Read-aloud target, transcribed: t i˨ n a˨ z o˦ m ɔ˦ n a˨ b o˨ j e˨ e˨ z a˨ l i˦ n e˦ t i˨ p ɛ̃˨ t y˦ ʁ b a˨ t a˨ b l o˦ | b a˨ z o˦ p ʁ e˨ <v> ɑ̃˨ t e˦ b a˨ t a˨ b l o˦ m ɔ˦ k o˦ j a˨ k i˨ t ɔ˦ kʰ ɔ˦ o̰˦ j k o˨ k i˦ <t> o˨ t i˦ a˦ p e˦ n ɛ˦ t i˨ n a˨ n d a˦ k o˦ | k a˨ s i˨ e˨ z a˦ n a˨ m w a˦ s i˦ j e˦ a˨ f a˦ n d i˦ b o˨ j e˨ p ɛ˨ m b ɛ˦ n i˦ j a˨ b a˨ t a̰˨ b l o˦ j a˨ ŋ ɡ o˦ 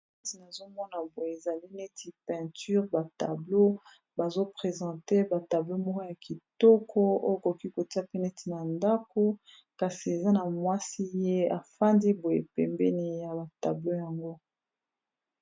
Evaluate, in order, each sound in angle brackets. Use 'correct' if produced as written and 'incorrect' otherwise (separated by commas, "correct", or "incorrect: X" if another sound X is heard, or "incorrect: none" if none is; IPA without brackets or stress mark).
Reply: incorrect: z, incorrect: k